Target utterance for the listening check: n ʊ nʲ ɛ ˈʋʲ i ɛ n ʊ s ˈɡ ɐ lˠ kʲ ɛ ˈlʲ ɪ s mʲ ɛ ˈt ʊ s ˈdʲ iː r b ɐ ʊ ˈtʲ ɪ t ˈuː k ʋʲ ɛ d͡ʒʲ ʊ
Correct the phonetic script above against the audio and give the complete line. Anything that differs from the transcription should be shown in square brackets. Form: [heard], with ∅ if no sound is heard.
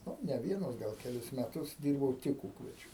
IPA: n ʊ nʲ ɛ ˈʋʲ i ɛ n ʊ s ˈɡ ɐ lˠ kʲ ɛ ˈlʲ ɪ s mʲ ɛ ˈt ʊ s ˈdʲ iː r b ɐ ʊ ˈtʲ ɪ [k] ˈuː k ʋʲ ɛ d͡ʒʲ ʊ